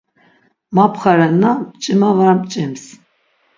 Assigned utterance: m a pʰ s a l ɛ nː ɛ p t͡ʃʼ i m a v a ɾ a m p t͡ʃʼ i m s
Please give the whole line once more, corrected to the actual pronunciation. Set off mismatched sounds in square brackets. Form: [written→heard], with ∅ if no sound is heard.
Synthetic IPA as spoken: m a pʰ [s→χ] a [l→ɾ] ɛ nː [ɛ→a] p t͡ʃʼ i m a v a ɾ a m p t͡ʃʼ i m s